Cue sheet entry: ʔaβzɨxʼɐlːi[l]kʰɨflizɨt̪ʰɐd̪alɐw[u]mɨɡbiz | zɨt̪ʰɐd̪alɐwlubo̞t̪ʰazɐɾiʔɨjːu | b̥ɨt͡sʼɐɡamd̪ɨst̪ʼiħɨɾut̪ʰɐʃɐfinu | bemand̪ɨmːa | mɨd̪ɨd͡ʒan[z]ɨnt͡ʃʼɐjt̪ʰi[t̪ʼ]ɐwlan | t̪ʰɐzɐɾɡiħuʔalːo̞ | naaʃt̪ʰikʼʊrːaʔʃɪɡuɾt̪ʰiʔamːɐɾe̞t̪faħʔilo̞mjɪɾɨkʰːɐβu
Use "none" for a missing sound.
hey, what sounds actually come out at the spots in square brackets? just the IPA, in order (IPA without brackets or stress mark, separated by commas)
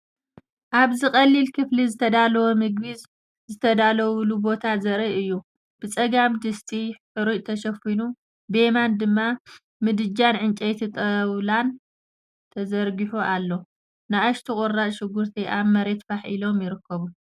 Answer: l, o, ʕ, t̪ʼ